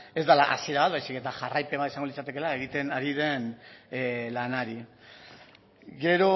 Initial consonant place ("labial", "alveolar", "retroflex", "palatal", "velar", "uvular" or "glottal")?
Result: alveolar